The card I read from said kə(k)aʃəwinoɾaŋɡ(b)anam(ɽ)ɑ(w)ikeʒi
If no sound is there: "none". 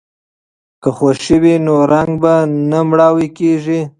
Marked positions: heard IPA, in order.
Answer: x, b, ɽ, w

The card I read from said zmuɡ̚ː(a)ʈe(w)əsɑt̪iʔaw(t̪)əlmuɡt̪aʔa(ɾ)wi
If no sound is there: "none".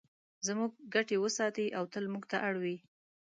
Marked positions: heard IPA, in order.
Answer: a, w, t̪, ɽ

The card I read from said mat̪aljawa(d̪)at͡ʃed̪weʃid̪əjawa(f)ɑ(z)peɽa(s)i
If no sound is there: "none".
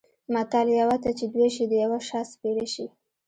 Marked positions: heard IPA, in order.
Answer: t̪, ʃ, s, ʃ

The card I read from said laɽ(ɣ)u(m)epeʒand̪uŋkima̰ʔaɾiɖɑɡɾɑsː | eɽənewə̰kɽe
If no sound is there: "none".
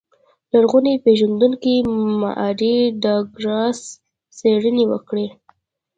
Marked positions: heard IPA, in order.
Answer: ɣ, n

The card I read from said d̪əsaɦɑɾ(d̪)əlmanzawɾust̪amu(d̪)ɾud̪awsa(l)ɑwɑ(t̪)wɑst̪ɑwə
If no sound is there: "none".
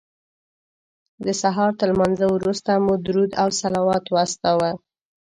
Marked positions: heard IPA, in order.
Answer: t̪, d̪, l, t̪

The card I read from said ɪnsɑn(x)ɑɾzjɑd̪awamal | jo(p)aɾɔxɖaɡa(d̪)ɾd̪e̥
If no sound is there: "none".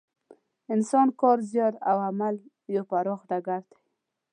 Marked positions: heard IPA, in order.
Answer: k, p, none

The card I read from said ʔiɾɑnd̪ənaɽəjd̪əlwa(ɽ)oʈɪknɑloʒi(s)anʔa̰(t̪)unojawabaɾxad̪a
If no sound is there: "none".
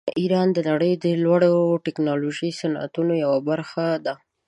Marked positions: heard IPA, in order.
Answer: ɽ, s, t̪

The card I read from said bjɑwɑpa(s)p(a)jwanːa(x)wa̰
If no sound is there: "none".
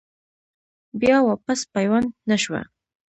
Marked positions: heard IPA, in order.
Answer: s, a, ʃ

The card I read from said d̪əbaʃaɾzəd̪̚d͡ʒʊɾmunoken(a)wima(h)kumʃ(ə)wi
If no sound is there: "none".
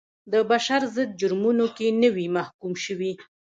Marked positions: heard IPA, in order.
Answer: ə, h, ə

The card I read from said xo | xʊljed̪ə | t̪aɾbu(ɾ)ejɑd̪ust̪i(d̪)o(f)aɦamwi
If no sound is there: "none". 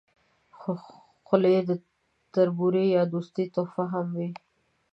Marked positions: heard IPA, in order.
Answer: ɾ, t̪, f

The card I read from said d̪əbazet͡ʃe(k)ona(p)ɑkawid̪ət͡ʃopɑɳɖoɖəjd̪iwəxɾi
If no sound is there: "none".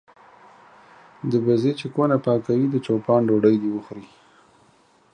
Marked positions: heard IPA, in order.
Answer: k, p

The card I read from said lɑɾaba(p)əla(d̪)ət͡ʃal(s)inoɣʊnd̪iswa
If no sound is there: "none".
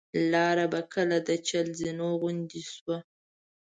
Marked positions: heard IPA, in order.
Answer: k, d̪, z

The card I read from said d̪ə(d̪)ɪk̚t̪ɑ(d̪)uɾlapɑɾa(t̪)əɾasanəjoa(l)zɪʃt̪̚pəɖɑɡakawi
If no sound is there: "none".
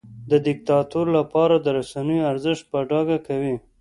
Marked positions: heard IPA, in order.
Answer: d̪, t̪, d̪, ɾ

